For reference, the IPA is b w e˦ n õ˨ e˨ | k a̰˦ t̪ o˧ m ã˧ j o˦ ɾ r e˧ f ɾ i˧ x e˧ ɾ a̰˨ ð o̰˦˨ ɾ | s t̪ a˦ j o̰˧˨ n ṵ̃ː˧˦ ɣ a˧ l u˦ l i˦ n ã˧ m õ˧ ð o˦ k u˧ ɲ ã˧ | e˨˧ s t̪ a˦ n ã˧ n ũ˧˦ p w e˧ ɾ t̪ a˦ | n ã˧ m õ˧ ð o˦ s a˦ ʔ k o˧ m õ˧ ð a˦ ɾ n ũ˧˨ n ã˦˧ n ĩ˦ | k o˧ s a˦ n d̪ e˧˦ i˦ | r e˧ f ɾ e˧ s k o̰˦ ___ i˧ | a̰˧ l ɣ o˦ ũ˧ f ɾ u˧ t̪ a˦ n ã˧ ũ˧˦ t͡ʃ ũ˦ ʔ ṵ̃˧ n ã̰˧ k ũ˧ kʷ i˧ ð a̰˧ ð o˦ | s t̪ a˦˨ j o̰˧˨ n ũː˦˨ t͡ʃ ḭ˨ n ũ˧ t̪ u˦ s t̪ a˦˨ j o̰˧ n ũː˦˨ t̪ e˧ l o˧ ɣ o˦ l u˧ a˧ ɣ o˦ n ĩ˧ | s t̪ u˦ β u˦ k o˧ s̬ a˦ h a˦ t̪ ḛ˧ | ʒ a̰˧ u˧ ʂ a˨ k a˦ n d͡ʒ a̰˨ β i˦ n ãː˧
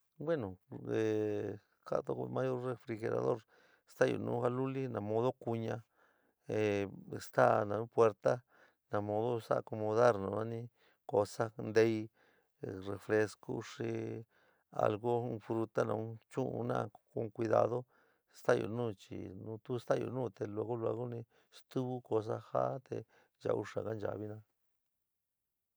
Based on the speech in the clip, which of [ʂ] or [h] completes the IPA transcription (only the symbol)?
ʂ